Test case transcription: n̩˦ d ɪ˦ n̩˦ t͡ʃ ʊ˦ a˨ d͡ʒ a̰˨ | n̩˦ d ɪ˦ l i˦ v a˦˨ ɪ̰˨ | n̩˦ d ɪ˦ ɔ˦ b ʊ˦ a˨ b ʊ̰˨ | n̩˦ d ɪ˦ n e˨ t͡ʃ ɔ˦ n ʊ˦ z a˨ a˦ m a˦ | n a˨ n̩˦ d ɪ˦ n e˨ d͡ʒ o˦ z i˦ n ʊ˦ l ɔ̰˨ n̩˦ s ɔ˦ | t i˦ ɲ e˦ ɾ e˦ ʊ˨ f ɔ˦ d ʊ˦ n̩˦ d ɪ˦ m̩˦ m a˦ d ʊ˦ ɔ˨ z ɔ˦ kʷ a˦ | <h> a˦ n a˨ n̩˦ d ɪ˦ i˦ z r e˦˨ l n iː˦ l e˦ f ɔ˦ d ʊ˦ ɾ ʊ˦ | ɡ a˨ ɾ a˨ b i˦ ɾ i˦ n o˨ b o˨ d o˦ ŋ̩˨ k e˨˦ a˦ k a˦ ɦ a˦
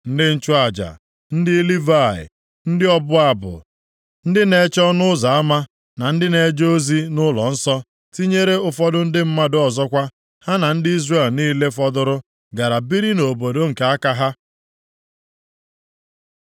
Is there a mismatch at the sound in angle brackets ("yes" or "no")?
no